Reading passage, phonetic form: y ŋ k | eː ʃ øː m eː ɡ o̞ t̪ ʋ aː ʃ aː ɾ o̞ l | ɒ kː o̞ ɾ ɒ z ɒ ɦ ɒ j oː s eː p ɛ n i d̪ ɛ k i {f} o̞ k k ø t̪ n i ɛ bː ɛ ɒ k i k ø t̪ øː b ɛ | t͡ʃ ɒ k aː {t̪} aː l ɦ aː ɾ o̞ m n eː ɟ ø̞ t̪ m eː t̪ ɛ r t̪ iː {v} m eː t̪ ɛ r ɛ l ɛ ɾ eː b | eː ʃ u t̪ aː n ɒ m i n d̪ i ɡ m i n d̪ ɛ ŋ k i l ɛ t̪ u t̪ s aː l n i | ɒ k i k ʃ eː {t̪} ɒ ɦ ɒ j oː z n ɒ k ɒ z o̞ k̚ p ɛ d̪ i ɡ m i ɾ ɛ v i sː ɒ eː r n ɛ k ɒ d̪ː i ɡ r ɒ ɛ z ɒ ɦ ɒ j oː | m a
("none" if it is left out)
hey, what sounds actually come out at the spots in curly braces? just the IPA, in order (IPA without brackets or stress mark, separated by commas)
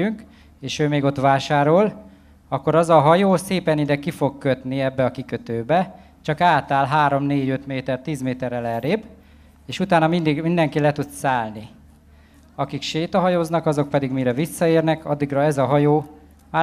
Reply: f, t̪, z, t̪